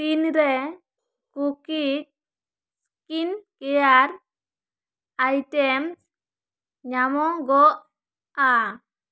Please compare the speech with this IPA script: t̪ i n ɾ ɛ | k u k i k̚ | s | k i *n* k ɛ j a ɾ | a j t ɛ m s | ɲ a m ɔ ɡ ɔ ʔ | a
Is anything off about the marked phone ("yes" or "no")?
no